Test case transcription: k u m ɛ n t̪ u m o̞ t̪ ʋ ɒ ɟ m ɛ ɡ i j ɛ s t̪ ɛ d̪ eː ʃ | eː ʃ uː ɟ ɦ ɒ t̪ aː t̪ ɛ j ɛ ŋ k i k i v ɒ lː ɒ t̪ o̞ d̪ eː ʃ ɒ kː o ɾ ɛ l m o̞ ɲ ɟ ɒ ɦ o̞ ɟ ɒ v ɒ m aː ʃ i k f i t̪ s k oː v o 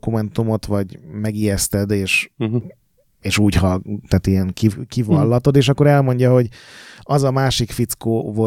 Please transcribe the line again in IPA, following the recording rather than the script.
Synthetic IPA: k u m ɛ n t̪ u m o̞ t̪ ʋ ɒ ɟ m ɛ ɡ i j ɛ s t̪ ɛ d̪ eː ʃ | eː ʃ uː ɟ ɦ ɒ t̪ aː t̪ i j ɛ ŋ k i k i v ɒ lː ɒ t̪ o̞ d̪ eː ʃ ɒ kː o ɾ ɛ l m o̞ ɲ ɟ ɒ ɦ o̞ ɟ ɒ z ɒ m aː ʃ i k f i t̪ s k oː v o